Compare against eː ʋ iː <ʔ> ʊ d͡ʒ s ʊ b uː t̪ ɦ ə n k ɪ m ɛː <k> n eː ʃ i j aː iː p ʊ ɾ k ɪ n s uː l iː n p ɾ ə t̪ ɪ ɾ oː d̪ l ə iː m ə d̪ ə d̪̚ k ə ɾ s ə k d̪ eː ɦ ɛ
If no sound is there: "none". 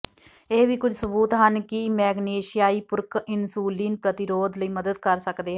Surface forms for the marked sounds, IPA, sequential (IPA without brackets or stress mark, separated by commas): k, ɡ